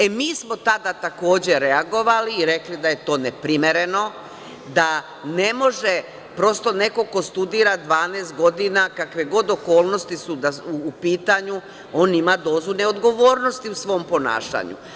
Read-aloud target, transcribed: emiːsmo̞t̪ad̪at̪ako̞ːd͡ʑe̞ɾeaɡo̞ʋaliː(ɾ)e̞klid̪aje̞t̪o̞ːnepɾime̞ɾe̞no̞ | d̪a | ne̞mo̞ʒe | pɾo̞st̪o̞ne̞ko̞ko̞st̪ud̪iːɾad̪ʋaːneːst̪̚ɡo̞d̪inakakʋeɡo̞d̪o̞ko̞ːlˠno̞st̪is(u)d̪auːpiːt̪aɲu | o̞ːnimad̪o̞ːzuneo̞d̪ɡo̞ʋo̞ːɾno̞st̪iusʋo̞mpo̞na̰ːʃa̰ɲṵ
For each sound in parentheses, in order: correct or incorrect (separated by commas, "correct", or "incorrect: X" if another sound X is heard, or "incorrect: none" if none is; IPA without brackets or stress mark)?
correct, correct